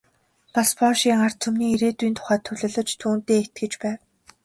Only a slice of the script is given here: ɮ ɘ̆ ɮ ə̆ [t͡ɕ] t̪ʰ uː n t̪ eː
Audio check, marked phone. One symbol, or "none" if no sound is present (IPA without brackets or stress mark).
t͡ɕ